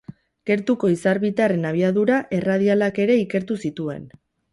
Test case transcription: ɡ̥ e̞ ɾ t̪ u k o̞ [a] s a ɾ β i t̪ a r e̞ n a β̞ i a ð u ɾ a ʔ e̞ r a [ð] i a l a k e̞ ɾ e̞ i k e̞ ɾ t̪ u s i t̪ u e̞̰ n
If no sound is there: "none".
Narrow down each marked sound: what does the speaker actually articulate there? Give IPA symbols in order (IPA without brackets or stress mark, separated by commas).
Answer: i, ð